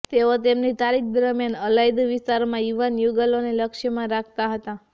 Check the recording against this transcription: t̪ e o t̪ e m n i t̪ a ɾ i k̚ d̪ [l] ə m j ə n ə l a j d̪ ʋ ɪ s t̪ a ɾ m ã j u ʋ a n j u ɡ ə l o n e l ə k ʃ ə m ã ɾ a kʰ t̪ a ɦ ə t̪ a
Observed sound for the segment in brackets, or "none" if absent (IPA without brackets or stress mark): ɾ